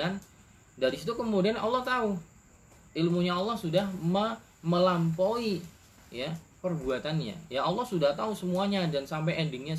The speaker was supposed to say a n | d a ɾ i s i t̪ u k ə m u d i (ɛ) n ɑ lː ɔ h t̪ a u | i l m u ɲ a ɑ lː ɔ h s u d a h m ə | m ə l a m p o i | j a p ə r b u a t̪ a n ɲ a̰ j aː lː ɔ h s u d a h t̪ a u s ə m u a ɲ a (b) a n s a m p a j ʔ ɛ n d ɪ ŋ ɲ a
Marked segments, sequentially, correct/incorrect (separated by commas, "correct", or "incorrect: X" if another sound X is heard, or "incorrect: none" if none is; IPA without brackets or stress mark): incorrect: a, incorrect: d